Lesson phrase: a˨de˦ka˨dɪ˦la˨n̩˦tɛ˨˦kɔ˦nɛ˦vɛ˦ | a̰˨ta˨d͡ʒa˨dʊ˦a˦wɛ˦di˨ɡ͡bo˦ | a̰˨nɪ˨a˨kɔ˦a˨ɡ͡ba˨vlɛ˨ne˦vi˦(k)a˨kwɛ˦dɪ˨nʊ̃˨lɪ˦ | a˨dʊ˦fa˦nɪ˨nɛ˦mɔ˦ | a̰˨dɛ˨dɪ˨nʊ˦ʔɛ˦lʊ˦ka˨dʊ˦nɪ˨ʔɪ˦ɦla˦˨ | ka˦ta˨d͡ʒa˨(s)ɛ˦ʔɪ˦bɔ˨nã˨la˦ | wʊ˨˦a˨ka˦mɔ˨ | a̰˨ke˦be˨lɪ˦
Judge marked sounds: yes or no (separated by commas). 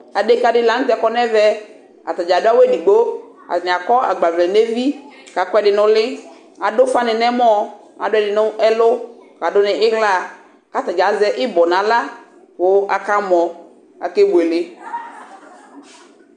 yes, no